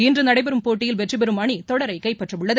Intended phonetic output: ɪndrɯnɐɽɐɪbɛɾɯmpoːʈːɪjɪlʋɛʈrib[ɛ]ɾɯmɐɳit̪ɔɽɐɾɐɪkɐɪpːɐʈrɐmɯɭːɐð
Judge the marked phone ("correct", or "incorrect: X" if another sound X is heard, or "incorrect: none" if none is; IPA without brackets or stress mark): correct